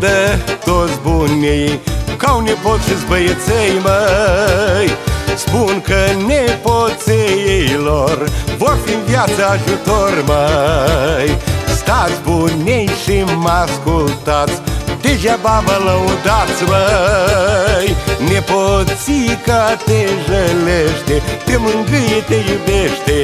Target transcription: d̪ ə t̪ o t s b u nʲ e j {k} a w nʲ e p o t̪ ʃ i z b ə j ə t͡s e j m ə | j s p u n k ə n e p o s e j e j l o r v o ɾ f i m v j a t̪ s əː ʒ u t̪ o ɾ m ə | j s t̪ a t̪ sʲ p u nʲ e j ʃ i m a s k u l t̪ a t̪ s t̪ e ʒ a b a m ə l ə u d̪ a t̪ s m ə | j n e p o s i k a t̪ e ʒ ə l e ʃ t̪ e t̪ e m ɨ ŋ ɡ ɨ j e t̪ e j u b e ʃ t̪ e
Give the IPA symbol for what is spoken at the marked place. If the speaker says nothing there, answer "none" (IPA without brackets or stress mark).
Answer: k